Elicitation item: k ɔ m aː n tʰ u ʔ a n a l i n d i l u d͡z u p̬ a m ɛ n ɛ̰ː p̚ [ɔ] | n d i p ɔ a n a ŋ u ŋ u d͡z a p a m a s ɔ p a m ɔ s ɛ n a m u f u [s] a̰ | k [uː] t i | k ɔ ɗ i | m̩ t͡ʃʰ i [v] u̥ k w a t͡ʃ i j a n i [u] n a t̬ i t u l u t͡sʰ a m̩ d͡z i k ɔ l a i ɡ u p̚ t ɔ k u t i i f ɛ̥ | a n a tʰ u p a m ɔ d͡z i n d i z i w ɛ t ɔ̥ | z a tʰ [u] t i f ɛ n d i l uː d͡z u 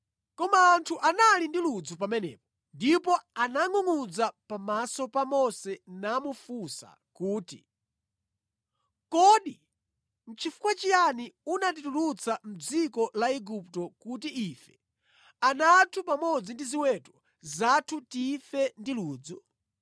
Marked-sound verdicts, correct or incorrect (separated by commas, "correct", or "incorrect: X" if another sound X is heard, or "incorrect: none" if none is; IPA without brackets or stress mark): correct, correct, correct, incorrect: f, correct, correct